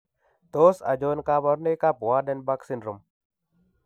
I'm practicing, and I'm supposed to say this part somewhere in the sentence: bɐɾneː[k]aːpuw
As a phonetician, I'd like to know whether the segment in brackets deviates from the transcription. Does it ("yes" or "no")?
no